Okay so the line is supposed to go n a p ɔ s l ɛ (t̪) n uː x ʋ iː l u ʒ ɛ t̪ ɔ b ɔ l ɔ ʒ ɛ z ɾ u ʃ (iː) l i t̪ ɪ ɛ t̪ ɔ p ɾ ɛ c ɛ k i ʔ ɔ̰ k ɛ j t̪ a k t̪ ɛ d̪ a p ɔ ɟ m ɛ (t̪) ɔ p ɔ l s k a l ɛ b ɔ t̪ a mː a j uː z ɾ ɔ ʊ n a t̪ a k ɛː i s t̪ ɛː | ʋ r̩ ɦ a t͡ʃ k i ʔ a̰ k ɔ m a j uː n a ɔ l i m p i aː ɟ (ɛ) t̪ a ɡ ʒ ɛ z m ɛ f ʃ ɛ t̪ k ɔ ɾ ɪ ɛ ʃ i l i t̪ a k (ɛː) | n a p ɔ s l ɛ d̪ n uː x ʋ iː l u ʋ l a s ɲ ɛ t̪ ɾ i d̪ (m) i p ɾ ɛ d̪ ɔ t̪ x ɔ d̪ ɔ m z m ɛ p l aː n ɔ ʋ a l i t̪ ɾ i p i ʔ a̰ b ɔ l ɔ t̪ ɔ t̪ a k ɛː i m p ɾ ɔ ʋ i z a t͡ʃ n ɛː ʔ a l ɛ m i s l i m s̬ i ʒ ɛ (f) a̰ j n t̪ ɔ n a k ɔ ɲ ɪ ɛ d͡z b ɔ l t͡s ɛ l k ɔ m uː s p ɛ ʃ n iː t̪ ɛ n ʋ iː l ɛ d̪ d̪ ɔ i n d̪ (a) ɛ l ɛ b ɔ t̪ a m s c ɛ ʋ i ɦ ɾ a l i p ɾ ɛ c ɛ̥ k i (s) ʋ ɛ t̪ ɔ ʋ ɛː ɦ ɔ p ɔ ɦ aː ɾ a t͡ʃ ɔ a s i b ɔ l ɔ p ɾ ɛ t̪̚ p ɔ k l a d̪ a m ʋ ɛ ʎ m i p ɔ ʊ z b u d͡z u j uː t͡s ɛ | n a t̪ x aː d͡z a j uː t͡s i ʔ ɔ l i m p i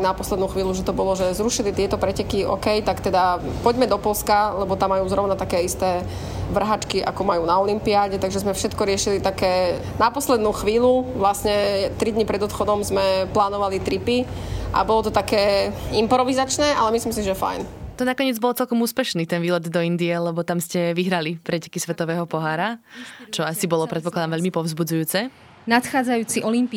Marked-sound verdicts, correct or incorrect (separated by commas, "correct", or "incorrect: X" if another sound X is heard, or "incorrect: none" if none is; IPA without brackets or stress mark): incorrect: d̪, incorrect: i, incorrect: d̪, correct, correct, incorrect: ɲ, correct, incorrect: i, correct